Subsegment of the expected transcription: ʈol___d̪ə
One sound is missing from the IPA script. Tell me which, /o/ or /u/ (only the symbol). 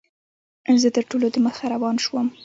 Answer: o